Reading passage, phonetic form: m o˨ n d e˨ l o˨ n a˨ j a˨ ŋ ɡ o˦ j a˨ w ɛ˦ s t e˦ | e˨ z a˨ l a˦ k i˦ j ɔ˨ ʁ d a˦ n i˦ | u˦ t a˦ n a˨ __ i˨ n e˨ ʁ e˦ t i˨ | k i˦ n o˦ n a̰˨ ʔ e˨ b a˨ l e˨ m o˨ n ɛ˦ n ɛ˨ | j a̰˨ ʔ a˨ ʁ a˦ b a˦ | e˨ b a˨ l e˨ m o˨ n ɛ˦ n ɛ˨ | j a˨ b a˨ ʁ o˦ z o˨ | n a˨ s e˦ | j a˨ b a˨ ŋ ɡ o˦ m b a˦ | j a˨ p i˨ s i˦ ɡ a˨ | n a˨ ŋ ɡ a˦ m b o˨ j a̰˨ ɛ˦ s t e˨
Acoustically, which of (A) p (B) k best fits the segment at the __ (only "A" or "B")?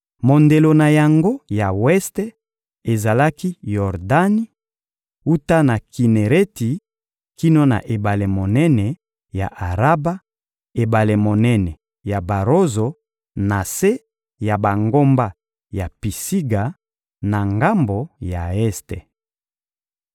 B